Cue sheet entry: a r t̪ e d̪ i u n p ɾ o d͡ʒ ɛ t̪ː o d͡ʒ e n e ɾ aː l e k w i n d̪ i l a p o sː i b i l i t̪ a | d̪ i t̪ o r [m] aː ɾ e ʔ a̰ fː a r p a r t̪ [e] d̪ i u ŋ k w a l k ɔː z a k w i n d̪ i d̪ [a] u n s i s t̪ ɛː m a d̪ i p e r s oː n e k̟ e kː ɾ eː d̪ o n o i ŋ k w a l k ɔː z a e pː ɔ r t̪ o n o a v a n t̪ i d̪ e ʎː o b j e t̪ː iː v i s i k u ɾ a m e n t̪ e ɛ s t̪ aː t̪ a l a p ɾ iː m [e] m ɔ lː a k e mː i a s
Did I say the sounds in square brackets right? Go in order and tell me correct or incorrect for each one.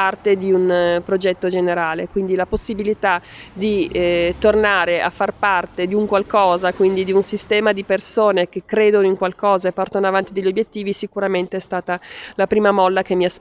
incorrect: n, correct, incorrect: i, incorrect: a

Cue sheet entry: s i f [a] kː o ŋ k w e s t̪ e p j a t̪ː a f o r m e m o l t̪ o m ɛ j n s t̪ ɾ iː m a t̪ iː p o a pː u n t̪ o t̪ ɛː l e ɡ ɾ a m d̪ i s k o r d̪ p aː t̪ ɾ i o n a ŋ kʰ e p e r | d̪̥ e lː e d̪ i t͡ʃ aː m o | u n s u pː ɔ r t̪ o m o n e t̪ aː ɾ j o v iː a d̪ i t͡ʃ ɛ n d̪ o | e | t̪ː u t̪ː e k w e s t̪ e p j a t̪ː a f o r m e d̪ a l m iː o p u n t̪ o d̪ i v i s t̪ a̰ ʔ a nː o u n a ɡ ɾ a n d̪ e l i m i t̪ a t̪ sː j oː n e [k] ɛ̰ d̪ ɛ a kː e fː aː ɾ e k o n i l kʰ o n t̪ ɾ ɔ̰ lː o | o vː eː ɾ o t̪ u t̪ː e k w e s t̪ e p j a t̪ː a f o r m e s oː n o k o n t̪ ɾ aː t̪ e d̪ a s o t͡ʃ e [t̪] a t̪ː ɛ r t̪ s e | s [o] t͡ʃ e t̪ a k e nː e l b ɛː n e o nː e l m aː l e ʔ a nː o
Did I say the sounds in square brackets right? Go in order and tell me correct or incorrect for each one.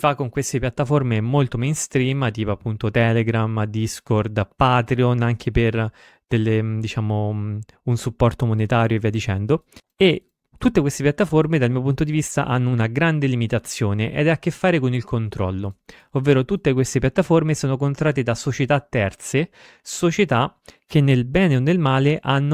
correct, incorrect: ʔ, correct, correct

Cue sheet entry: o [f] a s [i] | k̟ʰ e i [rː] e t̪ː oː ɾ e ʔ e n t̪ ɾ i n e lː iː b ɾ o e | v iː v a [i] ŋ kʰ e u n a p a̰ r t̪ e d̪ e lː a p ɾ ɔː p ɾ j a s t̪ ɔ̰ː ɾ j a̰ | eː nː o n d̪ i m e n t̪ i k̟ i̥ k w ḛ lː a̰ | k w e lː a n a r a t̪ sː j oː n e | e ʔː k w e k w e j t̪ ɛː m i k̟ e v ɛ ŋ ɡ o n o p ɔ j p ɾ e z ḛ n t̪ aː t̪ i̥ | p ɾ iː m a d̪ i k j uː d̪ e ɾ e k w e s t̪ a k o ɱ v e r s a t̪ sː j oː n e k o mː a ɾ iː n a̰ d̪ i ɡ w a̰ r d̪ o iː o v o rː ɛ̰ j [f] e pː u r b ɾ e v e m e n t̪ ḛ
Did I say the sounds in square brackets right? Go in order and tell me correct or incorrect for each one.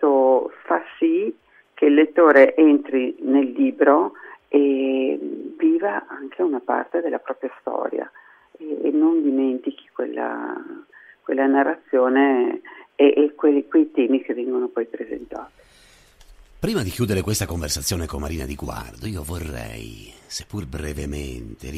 correct, correct, incorrect: lː, incorrect: a, incorrect: s

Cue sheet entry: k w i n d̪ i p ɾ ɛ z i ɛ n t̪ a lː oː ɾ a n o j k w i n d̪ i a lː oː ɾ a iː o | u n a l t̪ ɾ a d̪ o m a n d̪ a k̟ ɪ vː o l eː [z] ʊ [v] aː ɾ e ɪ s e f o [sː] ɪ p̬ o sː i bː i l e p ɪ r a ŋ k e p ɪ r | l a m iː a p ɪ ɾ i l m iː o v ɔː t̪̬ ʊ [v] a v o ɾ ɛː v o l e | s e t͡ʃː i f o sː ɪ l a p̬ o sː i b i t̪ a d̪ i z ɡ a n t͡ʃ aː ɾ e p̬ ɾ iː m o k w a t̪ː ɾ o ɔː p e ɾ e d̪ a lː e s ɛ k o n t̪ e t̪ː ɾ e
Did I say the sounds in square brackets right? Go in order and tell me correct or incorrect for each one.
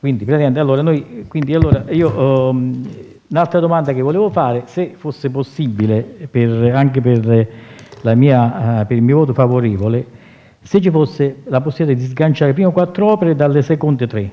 incorrect: v, incorrect: f, correct, incorrect: f

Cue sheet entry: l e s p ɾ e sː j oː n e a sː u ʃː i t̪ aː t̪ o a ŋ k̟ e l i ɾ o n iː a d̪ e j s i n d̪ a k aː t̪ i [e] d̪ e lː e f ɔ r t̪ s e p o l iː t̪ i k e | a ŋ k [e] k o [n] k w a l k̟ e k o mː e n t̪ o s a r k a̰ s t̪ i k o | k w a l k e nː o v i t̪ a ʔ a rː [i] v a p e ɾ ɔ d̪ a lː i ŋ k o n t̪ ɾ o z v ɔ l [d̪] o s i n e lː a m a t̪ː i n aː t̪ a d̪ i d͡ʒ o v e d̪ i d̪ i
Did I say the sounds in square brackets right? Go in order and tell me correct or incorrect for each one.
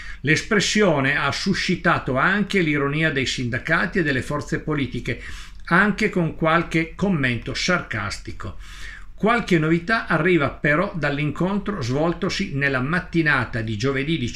correct, correct, incorrect: ŋ, incorrect: iː, incorrect: t̪

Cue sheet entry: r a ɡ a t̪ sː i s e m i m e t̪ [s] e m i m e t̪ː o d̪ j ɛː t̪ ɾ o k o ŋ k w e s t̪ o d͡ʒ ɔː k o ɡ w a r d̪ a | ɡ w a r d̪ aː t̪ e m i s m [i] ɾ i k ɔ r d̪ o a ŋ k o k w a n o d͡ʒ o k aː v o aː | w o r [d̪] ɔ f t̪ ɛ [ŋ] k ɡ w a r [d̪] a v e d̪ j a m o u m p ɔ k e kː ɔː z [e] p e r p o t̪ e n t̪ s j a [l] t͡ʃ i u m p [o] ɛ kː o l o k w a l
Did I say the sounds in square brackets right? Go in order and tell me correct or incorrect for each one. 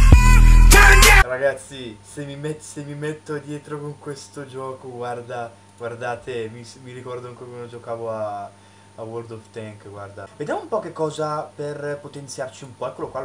correct, correct, correct, correct, correct, incorrect: a, incorrect: r, incorrect: ɔ

